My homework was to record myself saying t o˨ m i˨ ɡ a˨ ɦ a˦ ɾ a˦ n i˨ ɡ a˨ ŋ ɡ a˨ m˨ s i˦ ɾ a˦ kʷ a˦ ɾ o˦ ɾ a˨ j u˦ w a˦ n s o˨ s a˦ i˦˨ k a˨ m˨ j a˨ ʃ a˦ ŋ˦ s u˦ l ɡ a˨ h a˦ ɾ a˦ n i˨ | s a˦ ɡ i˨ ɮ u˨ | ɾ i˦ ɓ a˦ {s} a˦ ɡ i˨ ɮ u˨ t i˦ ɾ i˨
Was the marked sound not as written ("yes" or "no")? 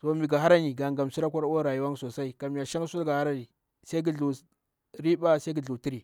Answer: no